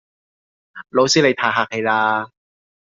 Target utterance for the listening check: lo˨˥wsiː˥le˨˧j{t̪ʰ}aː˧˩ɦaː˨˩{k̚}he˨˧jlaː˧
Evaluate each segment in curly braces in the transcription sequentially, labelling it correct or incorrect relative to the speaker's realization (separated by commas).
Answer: correct, correct